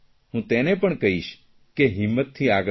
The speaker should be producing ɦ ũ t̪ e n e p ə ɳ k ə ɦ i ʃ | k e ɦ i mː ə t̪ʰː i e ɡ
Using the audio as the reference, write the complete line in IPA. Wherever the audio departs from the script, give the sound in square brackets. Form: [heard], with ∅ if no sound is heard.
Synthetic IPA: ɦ ũ t̪ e n e p ə ɳ k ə ɦ i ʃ | k e ɦ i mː ə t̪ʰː i [a] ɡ